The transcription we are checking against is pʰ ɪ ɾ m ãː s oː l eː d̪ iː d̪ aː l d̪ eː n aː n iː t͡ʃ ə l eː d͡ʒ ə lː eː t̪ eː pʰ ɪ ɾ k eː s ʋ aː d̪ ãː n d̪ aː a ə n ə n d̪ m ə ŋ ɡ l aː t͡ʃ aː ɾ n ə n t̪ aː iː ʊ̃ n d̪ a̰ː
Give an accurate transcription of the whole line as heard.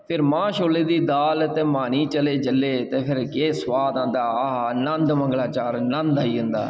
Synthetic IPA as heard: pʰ ɪ ɾ m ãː ʃ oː l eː d̪ iː d̪ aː l t̪ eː m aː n iː t͡ʃ ə l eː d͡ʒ ə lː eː t̪ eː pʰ ɪ ɾ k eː s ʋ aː d̪ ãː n d̪ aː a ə n ə n d̪ m ə ŋ ɡ l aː t͡ʃ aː ɾ n ə n d̪ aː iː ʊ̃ n d̪ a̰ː